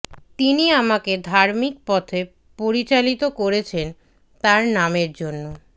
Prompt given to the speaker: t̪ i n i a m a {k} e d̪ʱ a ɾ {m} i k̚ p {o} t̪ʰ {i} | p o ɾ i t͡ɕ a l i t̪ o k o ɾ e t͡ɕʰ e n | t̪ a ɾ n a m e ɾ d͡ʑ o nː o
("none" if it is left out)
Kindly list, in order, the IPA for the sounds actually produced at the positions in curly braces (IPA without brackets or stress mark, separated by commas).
k, m, ɔ, e